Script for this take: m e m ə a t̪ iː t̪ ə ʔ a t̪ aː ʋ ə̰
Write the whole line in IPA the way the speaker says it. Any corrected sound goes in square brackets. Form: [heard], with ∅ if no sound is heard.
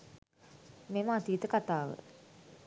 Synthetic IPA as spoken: m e m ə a t̪ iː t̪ ə [k] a t̪ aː ʋ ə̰